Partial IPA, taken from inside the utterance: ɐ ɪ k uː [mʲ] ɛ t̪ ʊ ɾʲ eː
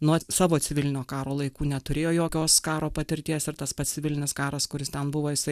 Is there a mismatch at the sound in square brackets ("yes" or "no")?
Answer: yes